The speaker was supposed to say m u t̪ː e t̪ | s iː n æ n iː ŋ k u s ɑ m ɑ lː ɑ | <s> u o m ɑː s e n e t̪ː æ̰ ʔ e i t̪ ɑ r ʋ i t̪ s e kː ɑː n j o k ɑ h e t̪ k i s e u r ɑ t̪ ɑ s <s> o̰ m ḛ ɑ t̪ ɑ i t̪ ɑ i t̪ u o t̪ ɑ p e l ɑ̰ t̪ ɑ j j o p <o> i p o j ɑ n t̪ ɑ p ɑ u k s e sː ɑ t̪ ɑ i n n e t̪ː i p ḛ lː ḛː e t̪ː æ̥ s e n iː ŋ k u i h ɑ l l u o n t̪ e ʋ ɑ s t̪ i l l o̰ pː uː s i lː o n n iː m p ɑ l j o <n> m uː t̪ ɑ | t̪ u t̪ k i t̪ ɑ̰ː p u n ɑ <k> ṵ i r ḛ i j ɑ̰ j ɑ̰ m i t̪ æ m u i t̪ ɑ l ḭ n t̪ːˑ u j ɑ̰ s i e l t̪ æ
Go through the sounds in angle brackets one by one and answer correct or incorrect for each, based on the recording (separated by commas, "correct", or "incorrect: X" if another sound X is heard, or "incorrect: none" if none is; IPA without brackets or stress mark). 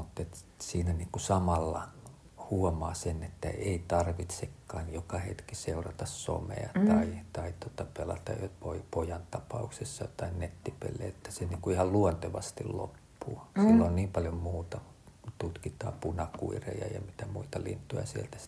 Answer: incorrect: h, correct, correct, incorrect: m, correct